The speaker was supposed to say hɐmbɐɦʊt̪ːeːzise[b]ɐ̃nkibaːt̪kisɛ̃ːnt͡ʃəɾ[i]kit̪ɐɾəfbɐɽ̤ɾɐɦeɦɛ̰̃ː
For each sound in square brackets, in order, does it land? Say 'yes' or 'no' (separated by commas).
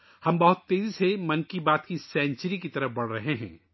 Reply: no, yes